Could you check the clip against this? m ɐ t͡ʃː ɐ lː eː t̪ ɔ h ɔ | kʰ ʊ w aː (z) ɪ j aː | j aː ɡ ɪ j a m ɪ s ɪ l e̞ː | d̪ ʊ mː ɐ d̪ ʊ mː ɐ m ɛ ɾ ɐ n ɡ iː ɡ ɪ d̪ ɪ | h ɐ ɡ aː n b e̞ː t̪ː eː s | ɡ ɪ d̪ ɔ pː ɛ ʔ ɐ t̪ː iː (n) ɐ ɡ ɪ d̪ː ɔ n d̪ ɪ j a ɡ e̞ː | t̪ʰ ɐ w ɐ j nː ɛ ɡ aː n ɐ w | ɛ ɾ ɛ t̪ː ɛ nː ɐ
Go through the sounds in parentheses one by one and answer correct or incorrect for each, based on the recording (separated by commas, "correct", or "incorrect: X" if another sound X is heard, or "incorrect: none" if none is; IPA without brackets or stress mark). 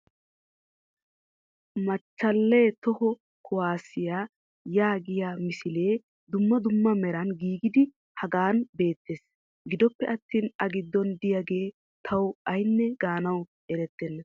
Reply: incorrect: s, correct